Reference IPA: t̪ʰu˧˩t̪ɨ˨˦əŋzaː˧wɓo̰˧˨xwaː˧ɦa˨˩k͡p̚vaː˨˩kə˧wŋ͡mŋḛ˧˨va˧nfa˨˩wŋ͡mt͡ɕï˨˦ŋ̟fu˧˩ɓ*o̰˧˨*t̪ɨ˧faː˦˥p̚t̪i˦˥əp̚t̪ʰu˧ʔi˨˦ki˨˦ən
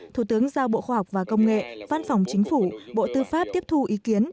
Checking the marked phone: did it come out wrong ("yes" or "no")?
no